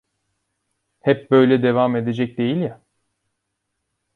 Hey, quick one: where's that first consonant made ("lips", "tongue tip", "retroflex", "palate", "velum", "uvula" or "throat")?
throat